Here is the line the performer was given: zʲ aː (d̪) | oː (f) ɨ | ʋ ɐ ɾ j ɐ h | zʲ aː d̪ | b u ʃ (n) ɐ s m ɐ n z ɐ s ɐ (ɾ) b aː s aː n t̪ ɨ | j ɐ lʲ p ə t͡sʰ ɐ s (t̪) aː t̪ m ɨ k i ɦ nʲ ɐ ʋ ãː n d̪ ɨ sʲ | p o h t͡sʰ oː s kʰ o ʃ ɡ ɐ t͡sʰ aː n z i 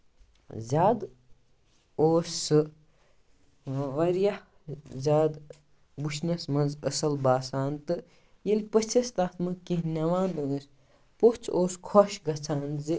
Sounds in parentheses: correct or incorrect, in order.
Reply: correct, incorrect, correct, incorrect, correct

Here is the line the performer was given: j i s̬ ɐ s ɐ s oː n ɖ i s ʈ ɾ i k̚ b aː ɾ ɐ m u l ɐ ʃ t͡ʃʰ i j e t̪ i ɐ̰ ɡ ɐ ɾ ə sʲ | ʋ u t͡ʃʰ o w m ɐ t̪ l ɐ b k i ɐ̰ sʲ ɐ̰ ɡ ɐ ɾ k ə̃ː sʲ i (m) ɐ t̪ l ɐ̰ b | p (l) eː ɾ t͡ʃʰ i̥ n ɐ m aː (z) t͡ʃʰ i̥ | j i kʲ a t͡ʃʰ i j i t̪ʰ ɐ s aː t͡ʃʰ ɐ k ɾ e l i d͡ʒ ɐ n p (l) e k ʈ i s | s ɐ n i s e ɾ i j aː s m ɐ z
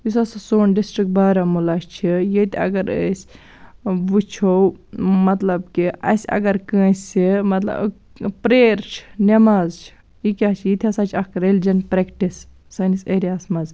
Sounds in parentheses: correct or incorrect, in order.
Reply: correct, incorrect, correct, incorrect

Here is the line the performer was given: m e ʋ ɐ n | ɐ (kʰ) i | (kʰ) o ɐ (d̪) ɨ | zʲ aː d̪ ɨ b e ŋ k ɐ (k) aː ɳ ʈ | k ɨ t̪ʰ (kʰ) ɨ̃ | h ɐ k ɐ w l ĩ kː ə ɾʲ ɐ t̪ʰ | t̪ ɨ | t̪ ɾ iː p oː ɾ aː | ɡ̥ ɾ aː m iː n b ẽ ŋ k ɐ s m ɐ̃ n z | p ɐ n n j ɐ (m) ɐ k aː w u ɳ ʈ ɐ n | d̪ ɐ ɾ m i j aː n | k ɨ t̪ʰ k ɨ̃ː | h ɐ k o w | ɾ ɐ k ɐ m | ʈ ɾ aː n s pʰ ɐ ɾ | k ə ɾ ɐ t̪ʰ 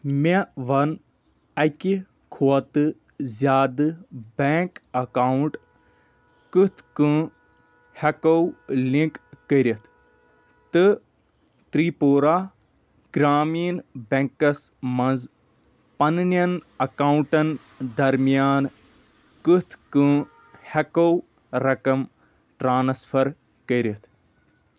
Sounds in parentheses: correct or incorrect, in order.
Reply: incorrect, correct, incorrect, correct, incorrect, incorrect

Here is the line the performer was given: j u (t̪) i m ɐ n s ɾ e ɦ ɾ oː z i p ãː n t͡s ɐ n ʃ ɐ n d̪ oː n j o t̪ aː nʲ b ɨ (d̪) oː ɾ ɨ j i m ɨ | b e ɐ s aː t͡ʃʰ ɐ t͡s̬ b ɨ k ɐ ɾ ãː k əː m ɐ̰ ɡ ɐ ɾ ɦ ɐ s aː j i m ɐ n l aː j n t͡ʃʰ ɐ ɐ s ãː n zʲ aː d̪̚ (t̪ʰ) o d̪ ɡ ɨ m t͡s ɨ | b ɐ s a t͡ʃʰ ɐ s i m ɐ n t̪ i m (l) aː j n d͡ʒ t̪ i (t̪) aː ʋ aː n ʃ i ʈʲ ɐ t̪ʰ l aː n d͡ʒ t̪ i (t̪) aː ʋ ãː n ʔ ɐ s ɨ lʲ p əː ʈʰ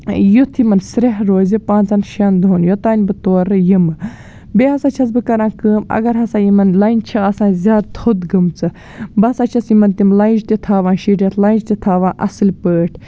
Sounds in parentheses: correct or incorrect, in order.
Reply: incorrect, incorrect, correct, correct, incorrect, incorrect

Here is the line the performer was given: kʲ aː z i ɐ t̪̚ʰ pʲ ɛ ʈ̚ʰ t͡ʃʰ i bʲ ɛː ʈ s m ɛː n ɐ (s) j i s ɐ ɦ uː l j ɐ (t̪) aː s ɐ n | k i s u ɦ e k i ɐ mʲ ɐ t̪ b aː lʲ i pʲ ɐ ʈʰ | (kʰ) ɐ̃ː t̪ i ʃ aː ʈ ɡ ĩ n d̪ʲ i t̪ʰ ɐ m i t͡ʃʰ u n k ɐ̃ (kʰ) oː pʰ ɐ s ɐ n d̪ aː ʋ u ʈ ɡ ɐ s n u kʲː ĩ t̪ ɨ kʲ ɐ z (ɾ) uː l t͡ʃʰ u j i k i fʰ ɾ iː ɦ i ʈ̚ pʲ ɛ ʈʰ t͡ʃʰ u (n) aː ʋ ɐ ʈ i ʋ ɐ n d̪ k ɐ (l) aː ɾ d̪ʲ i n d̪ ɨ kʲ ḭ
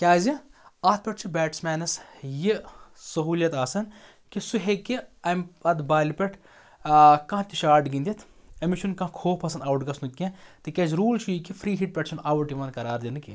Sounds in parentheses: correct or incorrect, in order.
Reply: correct, correct, incorrect, correct, correct, correct, incorrect

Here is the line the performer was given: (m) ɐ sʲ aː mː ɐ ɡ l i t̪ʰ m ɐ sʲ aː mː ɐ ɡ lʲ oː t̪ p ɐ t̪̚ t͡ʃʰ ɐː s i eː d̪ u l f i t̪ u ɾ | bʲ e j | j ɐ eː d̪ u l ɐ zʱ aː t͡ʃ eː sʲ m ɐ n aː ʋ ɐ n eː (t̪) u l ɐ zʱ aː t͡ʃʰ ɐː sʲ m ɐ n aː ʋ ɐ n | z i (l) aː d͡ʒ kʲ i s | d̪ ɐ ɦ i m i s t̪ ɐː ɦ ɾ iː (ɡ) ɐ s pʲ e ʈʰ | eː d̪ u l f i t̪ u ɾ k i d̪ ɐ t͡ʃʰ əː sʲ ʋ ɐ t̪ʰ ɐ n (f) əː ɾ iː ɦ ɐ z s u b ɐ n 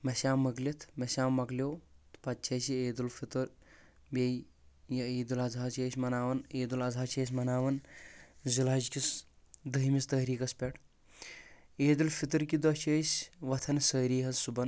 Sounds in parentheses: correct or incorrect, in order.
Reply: correct, incorrect, correct, incorrect, incorrect

